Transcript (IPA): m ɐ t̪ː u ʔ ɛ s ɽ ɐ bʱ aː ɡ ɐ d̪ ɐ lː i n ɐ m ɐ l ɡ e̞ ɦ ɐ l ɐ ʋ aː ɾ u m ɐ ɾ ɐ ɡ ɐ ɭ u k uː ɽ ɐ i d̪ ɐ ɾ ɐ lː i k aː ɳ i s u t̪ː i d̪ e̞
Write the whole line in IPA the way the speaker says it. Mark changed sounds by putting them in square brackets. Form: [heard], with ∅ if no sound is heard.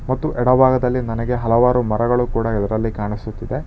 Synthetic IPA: m ɐ t̪ː u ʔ ɛ [∅] ɽ ɐ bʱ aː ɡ ɐ d̪ ɐ lː i n ɐ [n] ɐ [∅] ɡ e̞ ɦ ɐ l ɐ ʋ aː ɾ u m ɐ ɾ ɐ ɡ ɐ ɭ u k uː ɽ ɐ i d̪ ɐ ɾ ɐ lː i k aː ɳ i s u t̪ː i d̪ e̞